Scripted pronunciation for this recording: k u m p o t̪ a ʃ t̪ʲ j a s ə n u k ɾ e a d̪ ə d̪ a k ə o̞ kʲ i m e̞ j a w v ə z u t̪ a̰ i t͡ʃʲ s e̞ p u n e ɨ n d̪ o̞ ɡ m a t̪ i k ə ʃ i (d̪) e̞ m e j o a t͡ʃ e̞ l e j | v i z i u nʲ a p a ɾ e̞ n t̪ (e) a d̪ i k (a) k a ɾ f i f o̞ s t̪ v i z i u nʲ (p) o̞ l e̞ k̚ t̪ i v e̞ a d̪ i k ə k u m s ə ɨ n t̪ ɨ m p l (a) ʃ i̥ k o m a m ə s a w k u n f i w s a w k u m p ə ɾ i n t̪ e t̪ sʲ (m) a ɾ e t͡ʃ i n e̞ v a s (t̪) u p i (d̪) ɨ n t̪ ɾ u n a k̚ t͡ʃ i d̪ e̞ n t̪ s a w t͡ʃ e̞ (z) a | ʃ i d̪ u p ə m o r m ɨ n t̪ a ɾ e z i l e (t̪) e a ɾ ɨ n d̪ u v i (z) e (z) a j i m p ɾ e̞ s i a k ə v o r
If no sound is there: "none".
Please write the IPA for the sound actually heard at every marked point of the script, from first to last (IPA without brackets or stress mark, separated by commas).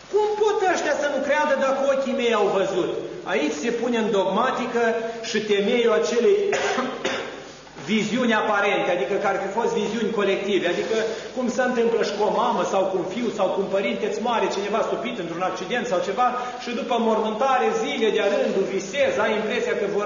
t̪, e, ə, k, ə, m, t̪, t̪, v, d̪, s, z